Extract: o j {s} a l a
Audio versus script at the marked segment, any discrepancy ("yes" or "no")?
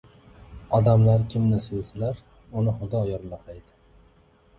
no